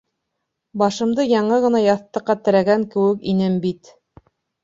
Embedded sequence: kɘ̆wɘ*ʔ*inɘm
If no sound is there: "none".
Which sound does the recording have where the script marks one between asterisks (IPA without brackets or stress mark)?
k